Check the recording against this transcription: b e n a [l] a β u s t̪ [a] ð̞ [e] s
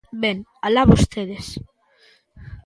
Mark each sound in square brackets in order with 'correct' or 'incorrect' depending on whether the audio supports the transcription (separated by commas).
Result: correct, incorrect, correct